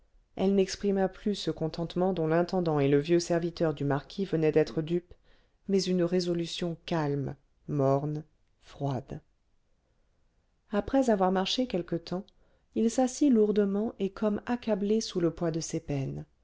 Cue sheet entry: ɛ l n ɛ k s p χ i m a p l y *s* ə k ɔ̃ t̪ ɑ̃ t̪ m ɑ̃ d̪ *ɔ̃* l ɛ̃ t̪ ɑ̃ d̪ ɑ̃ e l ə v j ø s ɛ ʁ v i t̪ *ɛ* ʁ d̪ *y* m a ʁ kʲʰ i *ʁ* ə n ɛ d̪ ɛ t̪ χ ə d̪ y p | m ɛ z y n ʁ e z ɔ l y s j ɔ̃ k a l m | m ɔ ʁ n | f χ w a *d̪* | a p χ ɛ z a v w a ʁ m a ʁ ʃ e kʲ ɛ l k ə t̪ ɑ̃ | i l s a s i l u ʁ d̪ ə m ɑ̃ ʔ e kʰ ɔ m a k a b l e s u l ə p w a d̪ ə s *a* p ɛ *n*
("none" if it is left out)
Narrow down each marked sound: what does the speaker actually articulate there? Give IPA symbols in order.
s, ɔ̃, œ, y, v, d̪, e, n

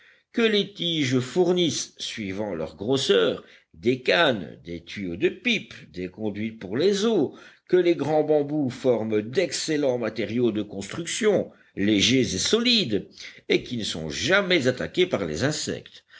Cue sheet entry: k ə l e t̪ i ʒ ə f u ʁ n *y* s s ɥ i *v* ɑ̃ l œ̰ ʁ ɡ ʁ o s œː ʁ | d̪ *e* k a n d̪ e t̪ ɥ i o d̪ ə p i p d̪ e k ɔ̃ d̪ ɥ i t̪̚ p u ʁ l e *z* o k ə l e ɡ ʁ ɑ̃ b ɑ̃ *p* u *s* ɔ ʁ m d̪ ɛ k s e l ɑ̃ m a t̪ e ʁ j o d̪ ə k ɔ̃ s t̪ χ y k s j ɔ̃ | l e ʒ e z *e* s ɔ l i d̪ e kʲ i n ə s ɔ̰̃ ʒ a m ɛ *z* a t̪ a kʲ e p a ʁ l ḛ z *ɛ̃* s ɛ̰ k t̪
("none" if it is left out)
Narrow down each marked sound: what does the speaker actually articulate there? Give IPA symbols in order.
i, v, e, z, b, f, e, z, ɛ̃

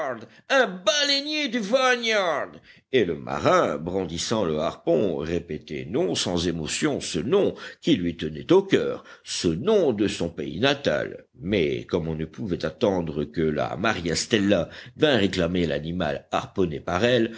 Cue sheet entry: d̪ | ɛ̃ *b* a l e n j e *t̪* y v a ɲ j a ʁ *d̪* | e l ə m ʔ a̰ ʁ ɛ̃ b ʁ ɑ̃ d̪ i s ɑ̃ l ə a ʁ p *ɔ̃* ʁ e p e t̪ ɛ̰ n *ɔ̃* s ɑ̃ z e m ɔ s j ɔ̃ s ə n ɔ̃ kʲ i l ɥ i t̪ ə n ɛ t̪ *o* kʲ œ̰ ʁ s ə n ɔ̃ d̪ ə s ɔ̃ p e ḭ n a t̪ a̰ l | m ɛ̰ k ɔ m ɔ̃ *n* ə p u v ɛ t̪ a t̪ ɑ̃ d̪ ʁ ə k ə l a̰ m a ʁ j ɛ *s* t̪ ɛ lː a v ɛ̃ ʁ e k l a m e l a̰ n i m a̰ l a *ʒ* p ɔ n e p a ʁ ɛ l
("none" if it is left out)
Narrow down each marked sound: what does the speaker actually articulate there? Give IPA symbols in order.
b, d̪, d̪, ɔ̃, ɔ̃, o, n, s, ʁ

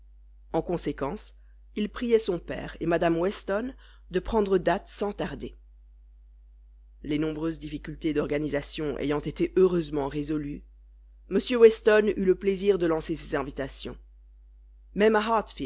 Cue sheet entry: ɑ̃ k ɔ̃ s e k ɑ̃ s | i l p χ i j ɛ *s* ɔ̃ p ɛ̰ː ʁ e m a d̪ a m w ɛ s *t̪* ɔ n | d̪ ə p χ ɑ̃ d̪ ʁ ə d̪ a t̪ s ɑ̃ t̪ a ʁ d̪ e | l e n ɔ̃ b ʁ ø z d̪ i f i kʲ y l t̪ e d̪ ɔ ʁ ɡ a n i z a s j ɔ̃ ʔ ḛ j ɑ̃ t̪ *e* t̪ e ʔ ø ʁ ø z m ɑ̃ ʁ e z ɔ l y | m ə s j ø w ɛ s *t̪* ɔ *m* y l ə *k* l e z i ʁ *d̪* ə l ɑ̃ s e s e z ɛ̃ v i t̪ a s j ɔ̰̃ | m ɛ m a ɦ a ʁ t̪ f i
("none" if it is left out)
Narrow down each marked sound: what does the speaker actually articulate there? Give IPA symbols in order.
s, t̪, e, t̪, n, p, d̪

